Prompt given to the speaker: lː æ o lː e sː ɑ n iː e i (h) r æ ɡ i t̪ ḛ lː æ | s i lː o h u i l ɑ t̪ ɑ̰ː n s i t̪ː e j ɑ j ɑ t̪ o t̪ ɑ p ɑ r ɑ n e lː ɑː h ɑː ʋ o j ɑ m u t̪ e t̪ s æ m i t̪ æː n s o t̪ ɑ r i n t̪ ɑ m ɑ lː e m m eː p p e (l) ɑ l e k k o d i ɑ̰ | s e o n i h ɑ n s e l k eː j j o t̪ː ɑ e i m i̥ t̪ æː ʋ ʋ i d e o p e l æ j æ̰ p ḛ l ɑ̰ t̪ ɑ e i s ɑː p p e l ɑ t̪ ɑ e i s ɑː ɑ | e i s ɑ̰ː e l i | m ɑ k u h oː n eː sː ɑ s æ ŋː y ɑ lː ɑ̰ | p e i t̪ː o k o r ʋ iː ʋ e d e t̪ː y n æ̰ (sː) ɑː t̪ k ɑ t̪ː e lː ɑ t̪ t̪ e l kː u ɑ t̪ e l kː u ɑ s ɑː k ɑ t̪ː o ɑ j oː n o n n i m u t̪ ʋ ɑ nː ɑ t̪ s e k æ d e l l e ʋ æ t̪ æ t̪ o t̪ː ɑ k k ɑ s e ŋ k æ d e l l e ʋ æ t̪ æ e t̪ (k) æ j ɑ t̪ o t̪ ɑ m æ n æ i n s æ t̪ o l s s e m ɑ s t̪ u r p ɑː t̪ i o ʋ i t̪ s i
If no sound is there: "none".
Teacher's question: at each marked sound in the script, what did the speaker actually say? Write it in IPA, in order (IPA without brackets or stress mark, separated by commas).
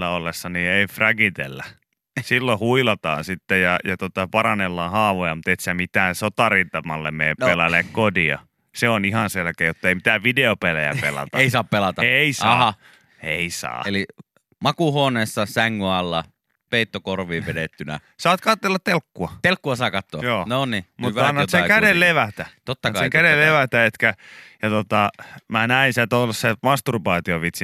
f, l, s, k